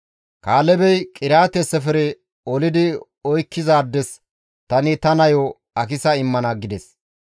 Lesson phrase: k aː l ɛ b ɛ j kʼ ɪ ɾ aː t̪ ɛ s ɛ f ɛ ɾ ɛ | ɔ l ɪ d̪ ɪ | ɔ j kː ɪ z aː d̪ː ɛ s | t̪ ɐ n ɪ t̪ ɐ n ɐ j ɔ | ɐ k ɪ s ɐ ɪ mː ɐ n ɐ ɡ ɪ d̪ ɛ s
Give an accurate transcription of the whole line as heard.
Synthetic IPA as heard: k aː l ɛ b ɛ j kʼ ɪ ɾ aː t̪ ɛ s ɛ f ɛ ɾ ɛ | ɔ l ɪ d̪ ɪ | ɔ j kː ɪ z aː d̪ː ɛ s | t̪ ɐ n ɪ t̪ ɐ n ɐ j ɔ | ɐ k ɪ s ɐ ɪ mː ɐ n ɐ ɡ ɪ d̪ ɛ s